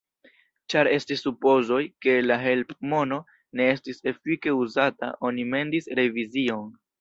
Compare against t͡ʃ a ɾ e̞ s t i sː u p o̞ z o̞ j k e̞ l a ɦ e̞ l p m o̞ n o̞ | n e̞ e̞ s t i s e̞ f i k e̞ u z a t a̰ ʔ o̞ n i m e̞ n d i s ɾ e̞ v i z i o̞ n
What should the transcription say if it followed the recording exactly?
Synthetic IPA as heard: t͡ʃ a ɾ e̞ s t i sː u p o̞ z o̞ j k e̞ l a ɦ e̞ l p m o̞ n o̞ | n e̞ e̞ s t i s e̞ f i k e̞ u z a t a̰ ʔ o̞ n i m e̞ n d i s ɾ e̞ v i z i o̞ n